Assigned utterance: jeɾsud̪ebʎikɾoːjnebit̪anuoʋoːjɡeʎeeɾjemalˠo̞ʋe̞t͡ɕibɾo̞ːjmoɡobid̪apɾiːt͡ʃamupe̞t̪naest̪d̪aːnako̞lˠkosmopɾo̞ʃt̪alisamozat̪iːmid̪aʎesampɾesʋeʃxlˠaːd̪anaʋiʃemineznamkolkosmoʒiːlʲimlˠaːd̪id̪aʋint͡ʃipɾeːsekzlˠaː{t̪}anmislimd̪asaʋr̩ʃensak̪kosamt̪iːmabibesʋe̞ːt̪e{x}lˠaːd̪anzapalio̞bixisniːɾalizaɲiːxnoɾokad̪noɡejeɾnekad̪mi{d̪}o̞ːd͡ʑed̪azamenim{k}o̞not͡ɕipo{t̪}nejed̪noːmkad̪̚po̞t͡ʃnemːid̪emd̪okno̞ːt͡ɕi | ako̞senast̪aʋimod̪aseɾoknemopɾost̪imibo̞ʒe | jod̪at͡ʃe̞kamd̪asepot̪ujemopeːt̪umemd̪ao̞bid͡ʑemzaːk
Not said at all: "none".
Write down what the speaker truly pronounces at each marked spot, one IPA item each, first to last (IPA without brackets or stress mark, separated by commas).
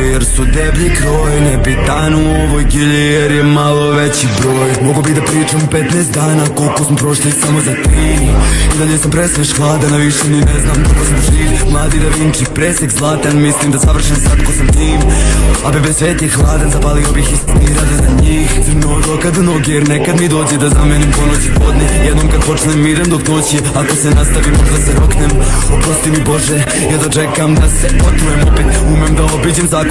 t̪, x, d̪, p, d̪